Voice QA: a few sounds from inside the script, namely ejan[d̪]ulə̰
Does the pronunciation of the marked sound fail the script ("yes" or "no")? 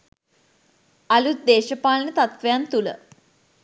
yes